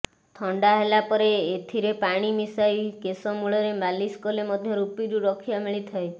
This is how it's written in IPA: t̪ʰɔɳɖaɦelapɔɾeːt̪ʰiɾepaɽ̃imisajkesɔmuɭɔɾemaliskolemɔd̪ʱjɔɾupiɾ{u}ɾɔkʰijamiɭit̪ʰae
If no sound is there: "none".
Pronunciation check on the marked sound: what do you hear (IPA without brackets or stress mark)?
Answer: u